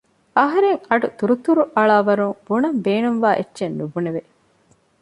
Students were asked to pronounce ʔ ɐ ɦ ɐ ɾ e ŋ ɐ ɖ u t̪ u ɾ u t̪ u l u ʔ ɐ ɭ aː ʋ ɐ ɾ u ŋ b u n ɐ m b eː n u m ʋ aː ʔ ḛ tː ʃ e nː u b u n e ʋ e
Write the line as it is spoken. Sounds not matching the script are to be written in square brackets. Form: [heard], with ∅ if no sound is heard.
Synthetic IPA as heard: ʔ ɐ ɦ ɐ ɾ e ŋ ɐ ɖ u t̪ u ɾ u t̪ u [ɾ] u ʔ ɐ ɭ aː ʋ ɐ ɾ u ŋ b u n ɐ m b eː n u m ʋ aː ʔ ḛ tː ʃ e nː u b u n e ʋ e